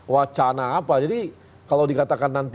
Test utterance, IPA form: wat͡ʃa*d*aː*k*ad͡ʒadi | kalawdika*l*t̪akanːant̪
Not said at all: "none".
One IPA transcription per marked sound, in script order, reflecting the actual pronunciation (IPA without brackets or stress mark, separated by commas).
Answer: n, p, none